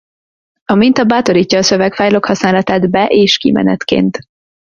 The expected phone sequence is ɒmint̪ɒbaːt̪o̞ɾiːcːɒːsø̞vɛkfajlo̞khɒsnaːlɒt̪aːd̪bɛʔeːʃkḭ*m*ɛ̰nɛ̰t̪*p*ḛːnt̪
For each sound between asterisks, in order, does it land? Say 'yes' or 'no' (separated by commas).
yes, no